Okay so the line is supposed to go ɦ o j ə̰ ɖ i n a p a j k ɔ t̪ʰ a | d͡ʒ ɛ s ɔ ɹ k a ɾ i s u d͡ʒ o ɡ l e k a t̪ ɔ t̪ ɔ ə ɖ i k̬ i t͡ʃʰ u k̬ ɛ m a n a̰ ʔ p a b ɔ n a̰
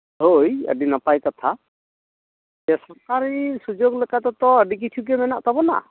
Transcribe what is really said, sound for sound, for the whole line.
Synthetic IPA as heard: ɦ o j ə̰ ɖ i n a p a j k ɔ t̪ʰ a | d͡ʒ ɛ s ɔ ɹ k a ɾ i s u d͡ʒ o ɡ l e k a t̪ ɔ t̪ ɔ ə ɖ i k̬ i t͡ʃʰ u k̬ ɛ m ɛ n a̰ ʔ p a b ɔ n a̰